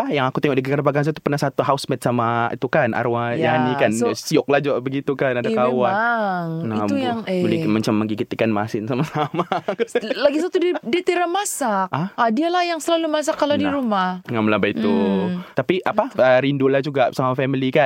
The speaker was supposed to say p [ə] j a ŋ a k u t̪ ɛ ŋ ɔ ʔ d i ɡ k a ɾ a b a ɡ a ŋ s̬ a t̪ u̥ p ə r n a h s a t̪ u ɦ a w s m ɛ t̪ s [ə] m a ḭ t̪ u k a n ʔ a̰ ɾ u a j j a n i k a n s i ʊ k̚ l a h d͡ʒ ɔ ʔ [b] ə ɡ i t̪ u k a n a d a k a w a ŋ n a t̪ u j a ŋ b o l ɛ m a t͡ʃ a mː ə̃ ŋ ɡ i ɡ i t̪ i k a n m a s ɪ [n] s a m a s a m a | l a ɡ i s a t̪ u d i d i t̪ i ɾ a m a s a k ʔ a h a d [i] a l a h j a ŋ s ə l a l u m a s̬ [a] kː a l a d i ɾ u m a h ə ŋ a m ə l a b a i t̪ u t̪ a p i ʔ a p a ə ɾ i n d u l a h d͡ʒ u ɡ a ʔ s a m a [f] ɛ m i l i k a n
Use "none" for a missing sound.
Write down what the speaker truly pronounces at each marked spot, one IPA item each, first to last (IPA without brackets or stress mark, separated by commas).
a, a, b, n, i, a, f